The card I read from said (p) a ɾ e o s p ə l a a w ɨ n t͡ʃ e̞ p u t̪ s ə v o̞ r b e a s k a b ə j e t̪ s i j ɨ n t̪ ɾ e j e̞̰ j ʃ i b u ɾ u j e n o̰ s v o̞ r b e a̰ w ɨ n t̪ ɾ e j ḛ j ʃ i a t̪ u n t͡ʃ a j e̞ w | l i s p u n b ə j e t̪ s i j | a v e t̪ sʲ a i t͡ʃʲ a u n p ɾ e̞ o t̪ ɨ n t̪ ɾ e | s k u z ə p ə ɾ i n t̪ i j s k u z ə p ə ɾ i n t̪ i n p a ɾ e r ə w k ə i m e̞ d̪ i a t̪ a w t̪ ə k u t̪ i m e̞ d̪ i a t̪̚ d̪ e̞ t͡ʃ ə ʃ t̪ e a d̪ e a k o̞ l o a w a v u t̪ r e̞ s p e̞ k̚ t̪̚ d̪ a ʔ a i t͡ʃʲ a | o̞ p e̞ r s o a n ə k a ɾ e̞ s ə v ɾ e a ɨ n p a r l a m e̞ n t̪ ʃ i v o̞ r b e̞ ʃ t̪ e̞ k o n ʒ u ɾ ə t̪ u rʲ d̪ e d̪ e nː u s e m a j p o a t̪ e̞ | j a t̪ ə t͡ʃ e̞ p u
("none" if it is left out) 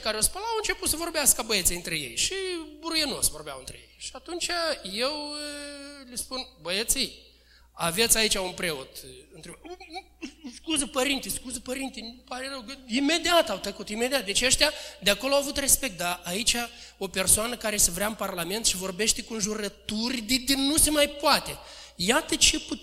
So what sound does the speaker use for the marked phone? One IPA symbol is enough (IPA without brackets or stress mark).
k